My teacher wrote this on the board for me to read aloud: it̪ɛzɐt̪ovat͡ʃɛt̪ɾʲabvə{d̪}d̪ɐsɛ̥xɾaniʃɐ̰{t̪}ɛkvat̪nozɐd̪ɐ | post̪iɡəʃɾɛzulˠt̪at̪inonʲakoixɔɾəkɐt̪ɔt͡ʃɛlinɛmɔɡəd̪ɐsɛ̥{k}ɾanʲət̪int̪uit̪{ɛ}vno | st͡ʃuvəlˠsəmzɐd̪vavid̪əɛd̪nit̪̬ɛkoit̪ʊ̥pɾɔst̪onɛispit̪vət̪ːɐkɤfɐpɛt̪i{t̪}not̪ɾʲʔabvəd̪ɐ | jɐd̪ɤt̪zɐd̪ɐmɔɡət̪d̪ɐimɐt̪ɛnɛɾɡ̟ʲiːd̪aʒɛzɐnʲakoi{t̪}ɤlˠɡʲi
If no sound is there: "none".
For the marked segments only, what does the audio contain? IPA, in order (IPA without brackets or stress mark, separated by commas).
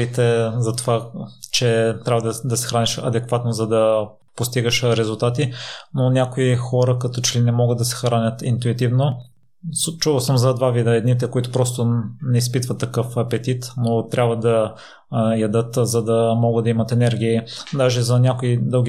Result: d̪, d̪, x, i, t̪, d̪